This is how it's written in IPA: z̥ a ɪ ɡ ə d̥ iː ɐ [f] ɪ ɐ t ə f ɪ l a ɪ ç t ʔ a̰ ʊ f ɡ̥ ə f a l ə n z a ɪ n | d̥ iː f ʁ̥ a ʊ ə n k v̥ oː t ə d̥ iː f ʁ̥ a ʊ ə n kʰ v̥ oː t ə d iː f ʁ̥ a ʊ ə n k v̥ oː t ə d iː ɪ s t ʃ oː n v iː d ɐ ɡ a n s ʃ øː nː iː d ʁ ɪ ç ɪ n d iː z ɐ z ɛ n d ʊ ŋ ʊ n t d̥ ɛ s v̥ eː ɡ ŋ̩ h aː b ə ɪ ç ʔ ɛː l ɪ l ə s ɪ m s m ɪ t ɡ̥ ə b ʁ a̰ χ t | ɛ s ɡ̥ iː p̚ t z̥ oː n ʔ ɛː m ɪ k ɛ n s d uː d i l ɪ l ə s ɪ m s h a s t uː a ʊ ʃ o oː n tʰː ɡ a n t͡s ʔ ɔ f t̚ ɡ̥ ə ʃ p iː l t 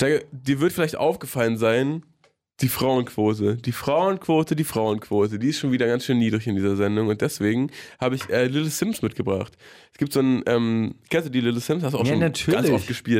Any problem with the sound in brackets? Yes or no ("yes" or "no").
yes